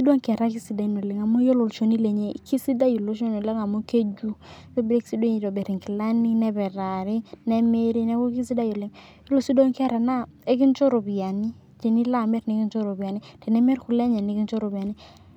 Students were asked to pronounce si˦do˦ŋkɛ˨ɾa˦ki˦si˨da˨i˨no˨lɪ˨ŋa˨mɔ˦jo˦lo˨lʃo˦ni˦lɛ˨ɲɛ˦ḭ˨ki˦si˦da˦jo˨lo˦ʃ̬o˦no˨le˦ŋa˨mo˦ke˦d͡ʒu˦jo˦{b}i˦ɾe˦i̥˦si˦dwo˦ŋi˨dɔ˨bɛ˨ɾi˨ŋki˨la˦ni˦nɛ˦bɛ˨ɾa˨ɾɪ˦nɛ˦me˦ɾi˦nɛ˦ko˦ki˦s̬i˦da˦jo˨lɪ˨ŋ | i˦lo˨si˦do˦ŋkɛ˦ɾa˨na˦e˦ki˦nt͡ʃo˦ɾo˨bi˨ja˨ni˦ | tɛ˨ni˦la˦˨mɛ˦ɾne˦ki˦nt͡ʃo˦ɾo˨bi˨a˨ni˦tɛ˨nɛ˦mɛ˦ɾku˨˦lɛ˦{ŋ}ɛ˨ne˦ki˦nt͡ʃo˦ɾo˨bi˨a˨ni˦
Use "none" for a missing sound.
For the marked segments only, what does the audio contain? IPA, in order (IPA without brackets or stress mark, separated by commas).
b, ɲ